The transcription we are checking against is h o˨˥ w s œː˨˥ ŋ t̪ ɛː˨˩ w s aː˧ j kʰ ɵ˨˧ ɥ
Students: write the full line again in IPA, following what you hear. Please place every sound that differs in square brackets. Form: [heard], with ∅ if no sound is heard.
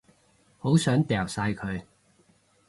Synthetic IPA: h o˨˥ w s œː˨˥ ŋ t̪ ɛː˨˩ w s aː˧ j kʰ ɵ˨˧ ɥ